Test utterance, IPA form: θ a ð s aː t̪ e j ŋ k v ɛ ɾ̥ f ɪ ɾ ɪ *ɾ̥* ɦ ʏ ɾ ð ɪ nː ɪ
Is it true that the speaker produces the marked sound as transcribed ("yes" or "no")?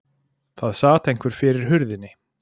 yes